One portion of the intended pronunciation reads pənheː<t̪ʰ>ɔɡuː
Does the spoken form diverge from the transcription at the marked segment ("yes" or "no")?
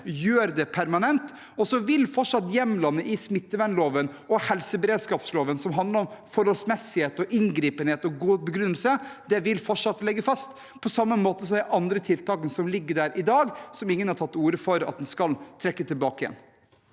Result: yes